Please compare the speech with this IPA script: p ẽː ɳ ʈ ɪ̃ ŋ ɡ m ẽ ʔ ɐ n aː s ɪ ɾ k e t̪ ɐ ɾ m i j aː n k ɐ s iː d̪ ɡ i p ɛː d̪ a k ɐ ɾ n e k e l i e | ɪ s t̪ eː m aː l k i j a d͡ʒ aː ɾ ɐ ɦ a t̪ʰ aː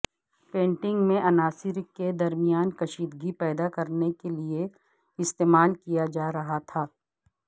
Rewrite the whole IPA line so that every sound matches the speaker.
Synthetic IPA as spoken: p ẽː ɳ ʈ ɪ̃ ŋ ɡ m ẽ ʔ ɐ n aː s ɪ ɾ k e d̪ ɐ ɾ m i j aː n k ɐ ʃ iː d̪ ɡ i p ɛː d̪ a k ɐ ɾ n e k e l i e | ɪ s t̪ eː m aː l k i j a d͡ʒ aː ɾ ɐ ɦ a t̪ʰ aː

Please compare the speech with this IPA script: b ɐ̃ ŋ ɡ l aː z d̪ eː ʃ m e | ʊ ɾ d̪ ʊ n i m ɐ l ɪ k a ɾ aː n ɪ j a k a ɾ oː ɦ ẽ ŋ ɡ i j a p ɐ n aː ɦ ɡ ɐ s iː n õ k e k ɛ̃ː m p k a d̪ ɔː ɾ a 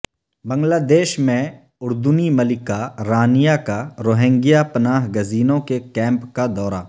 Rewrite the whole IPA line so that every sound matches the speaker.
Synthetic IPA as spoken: b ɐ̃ ŋ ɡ l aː d̪ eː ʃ m ẽ | ʊ ɾ d̪ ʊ n i m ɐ l ɪ k a ɾ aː n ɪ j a k a ɾ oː ɦ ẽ ŋ ɡ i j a p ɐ n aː ɦ ɡ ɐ z iː n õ k e k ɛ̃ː m p k a d̪ ɔː ɾ a

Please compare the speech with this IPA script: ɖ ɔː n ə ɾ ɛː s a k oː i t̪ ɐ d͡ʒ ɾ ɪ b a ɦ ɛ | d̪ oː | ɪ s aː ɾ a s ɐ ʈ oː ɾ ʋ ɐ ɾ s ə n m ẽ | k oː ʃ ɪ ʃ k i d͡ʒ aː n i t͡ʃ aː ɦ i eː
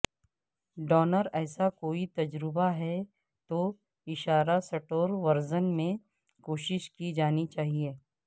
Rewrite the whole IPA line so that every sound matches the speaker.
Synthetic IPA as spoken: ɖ ɔː n ə ɾ ɛː s a k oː i t̪ ɐ d͡ʒ ɾ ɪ b a ɦ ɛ | t̪ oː | ɪ ʃ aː ɾ a s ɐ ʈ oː ɾ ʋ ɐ ɾ z ə n m ẽ | k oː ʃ ɪ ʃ k i d͡ʒ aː n i t͡ʃ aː ɦ i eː

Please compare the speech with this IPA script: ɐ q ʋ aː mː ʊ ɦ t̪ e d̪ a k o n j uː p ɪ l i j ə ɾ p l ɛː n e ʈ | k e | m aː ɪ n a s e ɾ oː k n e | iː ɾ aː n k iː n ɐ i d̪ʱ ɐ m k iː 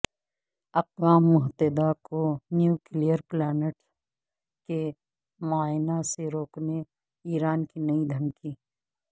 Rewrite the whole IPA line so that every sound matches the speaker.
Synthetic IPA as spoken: ɐ q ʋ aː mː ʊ ɦ t̪ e d̪ a k o n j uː k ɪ l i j ə ɾ p l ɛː n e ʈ | k e | m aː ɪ n a s e ɾ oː k n e | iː ɾ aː n k i n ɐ i d̪ʱ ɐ m k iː

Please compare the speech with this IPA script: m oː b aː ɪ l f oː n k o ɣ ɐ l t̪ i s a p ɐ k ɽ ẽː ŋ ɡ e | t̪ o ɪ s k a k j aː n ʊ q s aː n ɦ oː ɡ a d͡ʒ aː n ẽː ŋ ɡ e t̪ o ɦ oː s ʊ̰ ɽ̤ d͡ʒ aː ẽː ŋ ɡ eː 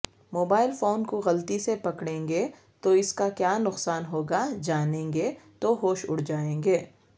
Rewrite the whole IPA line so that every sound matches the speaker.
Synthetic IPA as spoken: m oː b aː ɪ l f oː n k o ɣ ɐ l t̪ i s e p ɐ k ɽ ẽː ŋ ɡ e | t̪ o ɪ s k a k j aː n ʊ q s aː n ɦ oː ɡ a d͡ʒ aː n ẽː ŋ ɡ e t̪ o ɦ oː ʃ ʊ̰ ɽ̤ d͡ʒ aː ẽː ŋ ɡ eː

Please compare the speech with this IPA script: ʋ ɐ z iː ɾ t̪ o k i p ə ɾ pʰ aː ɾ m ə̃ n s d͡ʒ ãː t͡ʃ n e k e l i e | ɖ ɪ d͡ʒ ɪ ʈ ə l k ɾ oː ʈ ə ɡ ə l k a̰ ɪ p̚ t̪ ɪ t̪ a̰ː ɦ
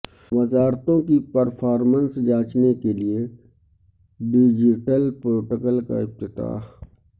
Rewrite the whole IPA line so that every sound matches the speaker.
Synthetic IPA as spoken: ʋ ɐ z aː ɾ t̪ õ k i p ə ɾ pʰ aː ɾ m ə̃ n s d͡ʒ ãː t͡ʃ n e k e l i e | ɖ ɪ d͡ʒ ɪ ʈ ə l p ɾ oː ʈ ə k ə l k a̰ ɪ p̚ t̪ ɪ t̪ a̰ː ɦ

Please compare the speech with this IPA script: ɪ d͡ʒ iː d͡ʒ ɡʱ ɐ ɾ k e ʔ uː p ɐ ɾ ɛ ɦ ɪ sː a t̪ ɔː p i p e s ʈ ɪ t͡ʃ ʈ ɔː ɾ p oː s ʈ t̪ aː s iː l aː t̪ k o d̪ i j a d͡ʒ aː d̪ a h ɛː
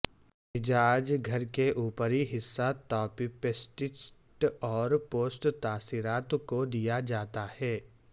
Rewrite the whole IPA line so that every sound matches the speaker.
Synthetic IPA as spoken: ɪ d͡ʒ aː d͡ʒ ɡʱ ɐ ɾ k e ʔ uː p ə ɾ i ɦ ɪ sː a t̪ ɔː p i p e s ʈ ɪ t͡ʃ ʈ ɔː ɾ p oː s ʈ t̪ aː s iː ɾ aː t̪ k o d̪ i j a d͡ʒ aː t̪ a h ɛː

